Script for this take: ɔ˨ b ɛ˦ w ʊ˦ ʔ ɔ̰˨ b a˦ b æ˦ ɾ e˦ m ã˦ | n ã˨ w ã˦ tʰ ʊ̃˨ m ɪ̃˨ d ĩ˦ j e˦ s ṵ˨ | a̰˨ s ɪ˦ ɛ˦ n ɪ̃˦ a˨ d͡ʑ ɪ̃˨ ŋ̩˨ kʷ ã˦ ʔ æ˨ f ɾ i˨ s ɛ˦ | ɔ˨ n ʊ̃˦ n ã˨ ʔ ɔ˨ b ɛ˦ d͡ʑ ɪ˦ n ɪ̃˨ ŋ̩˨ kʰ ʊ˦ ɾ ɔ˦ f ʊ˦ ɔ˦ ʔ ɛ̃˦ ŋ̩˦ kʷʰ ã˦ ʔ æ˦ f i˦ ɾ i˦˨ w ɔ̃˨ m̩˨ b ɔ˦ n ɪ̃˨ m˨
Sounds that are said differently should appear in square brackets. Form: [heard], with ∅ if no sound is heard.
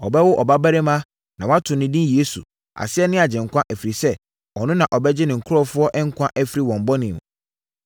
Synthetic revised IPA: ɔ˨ b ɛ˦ w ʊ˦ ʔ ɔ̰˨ b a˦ b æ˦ ɾ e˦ m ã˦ | n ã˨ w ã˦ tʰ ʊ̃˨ [n] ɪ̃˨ d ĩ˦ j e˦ s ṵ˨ | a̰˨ s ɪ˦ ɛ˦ n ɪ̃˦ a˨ d͡ʑ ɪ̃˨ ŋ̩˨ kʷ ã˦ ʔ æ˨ f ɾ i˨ s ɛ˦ | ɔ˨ n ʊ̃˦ n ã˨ ʔ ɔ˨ b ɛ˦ d͡ʑ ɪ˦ n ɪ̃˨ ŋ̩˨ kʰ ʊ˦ ɾ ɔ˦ f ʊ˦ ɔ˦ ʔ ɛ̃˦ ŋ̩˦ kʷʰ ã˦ ʔ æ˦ f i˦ ɾ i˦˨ w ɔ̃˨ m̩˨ b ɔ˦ n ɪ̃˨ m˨